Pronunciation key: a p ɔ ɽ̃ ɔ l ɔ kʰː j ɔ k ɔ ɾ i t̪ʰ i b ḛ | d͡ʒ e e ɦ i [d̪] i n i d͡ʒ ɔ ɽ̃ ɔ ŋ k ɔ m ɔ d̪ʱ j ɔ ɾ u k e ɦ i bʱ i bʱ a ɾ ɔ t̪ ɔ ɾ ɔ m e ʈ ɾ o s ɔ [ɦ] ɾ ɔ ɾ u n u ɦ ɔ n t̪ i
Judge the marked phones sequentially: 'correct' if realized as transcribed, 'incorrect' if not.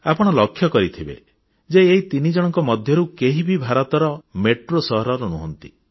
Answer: incorrect, correct

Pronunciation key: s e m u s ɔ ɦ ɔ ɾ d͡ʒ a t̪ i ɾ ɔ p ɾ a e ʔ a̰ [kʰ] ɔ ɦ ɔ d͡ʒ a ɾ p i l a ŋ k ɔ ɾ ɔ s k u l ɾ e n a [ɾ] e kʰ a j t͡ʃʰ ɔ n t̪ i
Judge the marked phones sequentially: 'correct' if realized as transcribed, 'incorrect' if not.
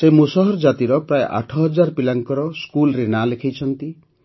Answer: incorrect, incorrect

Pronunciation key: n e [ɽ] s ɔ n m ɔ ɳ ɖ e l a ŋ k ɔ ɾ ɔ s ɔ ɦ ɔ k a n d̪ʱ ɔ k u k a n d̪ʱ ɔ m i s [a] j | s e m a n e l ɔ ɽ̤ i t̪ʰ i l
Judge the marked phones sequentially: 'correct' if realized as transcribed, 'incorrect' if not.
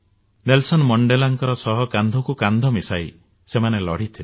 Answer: incorrect, correct

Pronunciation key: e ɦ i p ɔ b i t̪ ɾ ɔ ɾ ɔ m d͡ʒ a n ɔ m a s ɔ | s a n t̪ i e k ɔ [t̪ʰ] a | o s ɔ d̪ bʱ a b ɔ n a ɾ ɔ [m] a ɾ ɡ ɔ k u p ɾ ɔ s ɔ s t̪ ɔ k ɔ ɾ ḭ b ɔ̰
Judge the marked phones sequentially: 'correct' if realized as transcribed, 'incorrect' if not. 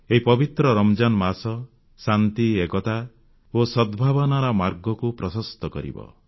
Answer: incorrect, correct

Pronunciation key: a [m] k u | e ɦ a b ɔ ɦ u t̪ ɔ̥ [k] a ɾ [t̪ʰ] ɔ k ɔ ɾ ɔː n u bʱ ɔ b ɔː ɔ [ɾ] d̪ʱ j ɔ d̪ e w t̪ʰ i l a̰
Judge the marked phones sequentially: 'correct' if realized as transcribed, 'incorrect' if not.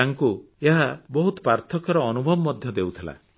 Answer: incorrect, incorrect, correct, incorrect

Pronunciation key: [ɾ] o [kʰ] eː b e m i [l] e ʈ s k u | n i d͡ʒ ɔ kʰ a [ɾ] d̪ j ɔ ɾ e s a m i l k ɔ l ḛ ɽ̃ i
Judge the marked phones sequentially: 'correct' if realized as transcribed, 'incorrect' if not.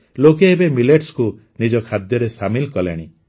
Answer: incorrect, incorrect, correct, incorrect

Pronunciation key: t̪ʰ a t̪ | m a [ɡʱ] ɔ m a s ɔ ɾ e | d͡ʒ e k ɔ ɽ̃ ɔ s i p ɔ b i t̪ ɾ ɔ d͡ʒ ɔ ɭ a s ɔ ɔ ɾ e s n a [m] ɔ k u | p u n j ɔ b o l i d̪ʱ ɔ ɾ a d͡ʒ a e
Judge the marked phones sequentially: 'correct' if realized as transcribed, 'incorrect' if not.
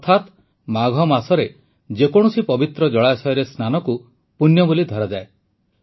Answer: correct, incorrect

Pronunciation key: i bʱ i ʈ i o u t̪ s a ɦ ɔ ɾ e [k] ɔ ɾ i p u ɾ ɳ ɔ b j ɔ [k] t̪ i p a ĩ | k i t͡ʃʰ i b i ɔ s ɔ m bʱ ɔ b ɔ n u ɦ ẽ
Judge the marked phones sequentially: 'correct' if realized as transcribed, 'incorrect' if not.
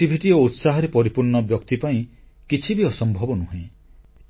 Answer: incorrect, correct

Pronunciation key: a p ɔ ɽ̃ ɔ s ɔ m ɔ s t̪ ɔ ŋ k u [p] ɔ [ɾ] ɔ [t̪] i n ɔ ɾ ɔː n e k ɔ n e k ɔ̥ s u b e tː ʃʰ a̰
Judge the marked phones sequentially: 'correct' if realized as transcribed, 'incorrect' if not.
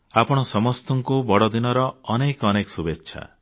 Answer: incorrect, incorrect, incorrect

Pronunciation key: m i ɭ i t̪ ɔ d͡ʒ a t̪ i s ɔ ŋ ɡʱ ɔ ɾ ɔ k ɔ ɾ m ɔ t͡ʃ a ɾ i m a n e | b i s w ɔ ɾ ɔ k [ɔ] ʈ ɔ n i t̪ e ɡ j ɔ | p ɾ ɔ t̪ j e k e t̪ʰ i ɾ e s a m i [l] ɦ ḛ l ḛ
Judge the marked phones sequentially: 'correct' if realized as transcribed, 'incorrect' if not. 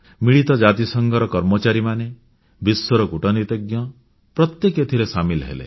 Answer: incorrect, correct

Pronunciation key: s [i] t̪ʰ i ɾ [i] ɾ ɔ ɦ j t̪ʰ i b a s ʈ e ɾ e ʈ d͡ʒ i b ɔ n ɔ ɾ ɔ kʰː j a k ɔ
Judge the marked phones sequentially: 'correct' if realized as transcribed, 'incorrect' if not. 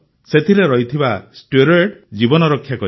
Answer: incorrect, incorrect

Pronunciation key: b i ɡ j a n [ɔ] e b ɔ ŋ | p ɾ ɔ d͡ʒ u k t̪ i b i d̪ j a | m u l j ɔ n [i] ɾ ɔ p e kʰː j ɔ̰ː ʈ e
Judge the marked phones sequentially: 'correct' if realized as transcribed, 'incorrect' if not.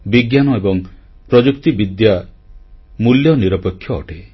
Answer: correct, correct

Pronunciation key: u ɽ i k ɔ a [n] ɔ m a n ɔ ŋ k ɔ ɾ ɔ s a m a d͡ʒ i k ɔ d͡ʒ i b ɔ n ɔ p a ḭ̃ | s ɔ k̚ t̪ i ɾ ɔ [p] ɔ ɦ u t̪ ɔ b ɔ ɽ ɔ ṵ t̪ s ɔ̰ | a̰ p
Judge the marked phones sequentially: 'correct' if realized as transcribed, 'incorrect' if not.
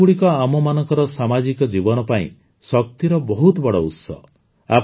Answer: incorrect, incorrect

